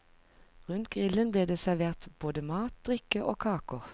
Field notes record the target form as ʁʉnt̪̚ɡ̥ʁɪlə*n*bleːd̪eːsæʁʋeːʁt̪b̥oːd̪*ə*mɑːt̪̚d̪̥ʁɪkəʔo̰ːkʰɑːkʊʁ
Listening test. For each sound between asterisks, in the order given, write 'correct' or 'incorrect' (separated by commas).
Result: correct, correct